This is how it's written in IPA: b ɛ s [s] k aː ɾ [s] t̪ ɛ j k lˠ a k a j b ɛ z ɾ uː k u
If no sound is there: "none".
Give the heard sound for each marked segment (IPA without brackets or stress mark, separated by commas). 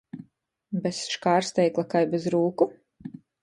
ʃ, s